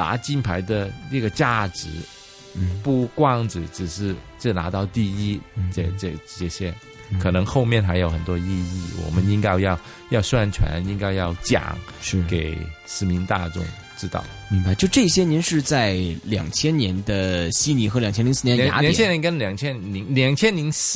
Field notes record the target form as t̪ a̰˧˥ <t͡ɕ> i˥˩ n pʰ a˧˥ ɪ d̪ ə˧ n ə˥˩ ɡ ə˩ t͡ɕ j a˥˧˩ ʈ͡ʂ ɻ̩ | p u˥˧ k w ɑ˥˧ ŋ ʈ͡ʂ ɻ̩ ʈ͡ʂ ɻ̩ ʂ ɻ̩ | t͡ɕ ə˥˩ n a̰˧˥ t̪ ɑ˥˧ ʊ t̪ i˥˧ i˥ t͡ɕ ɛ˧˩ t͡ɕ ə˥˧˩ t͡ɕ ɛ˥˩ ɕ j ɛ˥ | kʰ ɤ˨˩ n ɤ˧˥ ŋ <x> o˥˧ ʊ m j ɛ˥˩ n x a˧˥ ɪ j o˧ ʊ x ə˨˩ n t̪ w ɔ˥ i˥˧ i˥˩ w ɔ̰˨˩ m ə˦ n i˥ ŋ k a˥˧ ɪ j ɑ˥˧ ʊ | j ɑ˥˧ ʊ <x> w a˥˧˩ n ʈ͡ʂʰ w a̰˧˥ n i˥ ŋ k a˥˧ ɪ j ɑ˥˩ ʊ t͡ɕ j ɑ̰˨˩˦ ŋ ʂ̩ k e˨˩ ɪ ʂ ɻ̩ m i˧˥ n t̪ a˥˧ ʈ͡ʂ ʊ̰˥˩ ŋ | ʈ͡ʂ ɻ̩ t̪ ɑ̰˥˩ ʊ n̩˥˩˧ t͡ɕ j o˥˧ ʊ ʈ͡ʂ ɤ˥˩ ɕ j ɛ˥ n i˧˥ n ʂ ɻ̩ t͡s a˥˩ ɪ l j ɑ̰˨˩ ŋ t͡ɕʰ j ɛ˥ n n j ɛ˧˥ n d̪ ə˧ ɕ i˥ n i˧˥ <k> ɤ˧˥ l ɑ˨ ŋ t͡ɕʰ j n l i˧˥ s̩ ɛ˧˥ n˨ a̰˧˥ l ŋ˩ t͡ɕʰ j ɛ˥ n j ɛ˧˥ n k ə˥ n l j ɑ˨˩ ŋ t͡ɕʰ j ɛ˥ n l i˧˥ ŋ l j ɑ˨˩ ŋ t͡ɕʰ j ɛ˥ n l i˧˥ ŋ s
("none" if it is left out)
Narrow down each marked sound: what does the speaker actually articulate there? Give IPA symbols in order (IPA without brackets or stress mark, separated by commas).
t͡ɕ, x, s, x